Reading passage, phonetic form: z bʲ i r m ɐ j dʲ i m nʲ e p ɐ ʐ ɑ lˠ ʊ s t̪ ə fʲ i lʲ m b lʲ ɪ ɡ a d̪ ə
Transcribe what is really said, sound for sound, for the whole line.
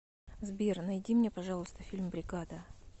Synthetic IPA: z bʲ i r n ɐ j dʲ i m nʲ e p ɐ ʐ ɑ lˠ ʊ s t̪ ə fʲ i lʲ m b ɾʲ ɪ ɡ a d̪ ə